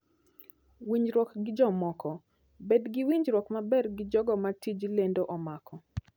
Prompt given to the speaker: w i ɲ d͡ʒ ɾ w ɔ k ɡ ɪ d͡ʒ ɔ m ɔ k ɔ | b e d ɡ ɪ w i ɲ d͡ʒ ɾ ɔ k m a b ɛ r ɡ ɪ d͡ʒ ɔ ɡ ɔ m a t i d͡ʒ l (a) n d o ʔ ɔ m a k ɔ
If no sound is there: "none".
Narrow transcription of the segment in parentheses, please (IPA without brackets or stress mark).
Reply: e